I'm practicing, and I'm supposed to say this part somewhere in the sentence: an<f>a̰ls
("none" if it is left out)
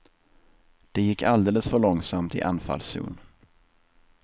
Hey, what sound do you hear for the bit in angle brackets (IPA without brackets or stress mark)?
f